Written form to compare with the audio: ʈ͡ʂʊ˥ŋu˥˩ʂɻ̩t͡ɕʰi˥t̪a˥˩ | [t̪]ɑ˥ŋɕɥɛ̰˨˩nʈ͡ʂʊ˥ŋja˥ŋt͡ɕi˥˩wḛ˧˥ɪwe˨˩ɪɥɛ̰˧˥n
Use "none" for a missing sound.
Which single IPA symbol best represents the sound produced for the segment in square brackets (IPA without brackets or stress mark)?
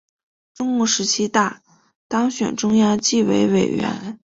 t̪